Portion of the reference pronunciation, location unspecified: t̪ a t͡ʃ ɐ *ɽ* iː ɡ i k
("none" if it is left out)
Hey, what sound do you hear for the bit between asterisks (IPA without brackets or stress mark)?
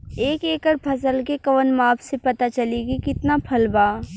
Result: l